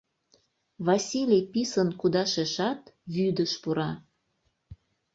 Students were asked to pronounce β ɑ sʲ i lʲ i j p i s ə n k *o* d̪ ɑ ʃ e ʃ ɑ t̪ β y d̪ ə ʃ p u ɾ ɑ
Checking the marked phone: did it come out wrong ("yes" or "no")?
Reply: yes